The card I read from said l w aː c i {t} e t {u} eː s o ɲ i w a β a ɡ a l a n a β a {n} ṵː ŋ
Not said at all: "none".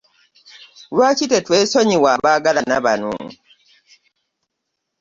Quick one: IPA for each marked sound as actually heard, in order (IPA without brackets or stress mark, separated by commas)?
t, w, n